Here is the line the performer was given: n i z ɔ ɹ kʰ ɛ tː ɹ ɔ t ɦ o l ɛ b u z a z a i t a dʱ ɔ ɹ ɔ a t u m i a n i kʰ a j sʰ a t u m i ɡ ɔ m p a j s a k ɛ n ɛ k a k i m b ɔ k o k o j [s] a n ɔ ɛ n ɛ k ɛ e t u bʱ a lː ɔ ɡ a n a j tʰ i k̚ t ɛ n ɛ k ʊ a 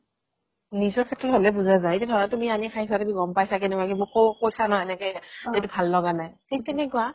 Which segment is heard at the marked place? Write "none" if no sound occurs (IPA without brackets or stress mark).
s